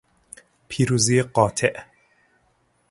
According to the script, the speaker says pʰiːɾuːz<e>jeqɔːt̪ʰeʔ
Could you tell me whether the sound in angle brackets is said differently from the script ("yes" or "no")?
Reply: yes